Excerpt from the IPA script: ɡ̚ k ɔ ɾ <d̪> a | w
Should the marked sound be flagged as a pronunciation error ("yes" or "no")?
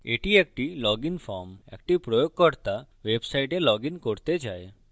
yes